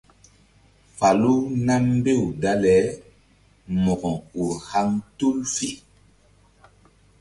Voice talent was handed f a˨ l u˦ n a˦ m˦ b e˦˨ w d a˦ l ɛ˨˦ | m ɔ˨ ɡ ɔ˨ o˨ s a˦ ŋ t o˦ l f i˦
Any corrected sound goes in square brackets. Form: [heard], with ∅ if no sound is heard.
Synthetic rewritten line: f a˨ l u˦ n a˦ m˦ b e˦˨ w d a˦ l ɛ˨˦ | m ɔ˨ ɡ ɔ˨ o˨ [h] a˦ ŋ t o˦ l f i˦